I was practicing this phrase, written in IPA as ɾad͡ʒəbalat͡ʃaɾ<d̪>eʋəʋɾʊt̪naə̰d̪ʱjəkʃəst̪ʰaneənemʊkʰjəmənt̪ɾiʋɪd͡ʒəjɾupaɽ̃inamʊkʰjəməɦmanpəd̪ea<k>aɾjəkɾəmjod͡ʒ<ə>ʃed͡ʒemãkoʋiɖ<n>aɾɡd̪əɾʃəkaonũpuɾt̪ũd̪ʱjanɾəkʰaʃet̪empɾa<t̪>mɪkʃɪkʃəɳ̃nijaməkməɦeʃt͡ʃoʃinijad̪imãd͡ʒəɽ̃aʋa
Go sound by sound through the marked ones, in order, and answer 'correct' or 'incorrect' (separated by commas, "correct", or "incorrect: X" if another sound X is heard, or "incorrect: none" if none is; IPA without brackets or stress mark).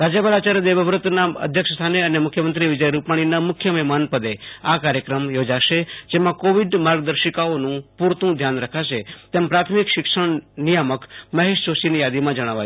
correct, correct, incorrect: a, incorrect: m, incorrect: t̪ʰ